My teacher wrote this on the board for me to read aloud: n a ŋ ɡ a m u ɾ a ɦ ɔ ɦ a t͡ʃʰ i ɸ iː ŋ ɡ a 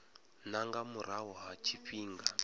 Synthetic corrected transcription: n a ŋ ɡ a m u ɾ a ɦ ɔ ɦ a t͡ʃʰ i ɸ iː ŋ ɡ a